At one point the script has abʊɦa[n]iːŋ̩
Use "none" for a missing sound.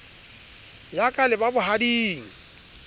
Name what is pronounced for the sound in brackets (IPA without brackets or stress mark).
d